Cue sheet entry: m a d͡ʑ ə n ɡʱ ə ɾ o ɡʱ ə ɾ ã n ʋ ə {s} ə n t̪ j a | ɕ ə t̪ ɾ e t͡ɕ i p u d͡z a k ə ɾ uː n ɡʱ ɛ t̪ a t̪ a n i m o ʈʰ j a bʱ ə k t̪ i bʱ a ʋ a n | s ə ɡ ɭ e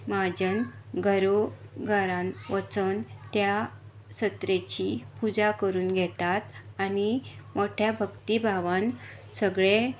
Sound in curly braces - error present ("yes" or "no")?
yes